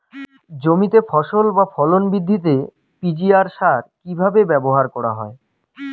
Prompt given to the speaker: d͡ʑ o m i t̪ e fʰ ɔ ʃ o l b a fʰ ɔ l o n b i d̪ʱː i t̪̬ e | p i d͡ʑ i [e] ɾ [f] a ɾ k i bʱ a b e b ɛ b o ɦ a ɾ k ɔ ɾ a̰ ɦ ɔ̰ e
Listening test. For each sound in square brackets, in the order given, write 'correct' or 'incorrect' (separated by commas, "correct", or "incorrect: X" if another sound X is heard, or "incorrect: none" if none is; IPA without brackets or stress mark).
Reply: incorrect: a, incorrect: ʃ